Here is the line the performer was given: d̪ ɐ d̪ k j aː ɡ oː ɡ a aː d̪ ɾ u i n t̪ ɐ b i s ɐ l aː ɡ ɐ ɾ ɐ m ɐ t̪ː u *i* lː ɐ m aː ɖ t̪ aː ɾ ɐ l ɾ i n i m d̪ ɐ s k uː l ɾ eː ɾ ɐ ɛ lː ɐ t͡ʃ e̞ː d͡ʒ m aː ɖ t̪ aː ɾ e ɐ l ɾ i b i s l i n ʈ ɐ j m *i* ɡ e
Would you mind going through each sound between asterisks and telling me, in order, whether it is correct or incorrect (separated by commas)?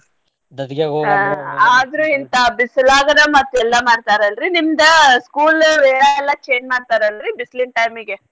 incorrect, correct